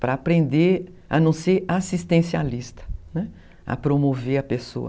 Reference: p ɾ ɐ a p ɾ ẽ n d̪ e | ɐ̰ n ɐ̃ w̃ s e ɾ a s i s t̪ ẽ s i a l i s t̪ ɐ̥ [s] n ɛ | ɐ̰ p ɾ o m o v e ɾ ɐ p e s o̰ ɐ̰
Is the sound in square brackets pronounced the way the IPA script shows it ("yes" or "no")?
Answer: no